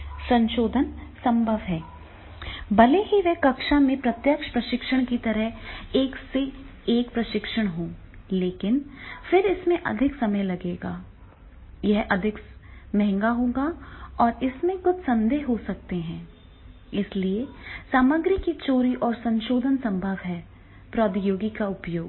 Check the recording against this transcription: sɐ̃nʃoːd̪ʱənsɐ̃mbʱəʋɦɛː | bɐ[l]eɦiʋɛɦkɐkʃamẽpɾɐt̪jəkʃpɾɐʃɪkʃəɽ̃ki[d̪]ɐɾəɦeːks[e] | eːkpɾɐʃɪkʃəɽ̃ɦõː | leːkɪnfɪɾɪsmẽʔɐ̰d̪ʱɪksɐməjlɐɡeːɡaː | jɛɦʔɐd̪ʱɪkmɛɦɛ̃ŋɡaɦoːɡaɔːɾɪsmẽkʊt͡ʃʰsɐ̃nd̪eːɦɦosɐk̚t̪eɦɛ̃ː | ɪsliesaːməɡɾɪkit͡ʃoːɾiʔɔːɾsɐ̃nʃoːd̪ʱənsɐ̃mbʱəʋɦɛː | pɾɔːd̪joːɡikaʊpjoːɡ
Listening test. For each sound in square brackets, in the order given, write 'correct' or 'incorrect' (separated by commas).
correct, incorrect, correct